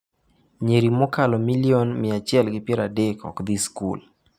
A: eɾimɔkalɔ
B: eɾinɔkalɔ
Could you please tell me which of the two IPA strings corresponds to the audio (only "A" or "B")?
A